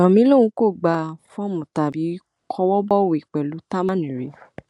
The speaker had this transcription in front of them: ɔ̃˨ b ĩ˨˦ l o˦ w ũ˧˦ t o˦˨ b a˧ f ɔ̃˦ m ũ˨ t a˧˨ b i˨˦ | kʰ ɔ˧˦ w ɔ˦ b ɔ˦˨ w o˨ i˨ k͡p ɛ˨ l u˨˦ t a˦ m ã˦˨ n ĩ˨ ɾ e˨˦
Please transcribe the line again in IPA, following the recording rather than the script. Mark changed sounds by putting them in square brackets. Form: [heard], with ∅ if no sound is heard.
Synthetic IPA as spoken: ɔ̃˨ [m] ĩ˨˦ l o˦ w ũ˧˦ [k] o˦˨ [ɡ͡b] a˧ f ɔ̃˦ m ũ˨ t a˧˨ b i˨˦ | kʰ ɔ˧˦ w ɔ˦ b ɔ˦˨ w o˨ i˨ k͡p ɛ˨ l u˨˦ t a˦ m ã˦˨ n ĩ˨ ɾ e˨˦